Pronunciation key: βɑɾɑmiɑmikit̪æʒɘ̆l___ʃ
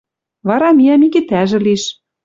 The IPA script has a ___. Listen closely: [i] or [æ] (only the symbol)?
i